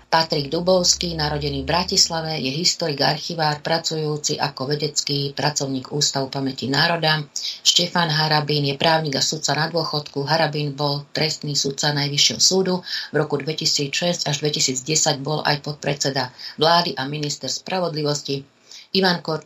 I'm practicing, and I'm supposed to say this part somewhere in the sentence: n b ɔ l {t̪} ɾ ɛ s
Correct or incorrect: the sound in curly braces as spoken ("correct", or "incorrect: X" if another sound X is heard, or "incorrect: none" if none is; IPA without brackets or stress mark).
correct